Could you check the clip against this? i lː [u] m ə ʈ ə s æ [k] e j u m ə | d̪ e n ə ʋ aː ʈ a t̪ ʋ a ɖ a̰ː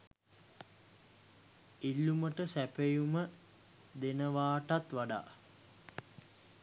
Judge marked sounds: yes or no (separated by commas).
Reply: yes, no